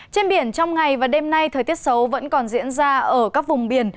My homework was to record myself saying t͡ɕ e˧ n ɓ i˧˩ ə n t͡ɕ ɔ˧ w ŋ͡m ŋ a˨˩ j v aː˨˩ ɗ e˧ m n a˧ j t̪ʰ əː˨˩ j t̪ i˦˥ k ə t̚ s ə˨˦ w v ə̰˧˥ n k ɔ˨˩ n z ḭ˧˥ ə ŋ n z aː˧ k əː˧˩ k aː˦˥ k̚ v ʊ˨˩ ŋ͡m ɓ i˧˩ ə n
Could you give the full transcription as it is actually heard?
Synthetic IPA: t͡ɕ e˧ n ɓ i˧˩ ə n t͡ɕ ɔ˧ w ŋ͡m ŋ a˨˩ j v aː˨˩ ɗ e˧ m n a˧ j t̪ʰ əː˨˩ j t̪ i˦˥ ə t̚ s ə˨˦ w v ə̰˧˥ n k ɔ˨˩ n z ḭ˧˥ ə n z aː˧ ʔ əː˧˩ k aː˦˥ k̚ v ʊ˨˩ ŋ͡m ɓ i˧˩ ə n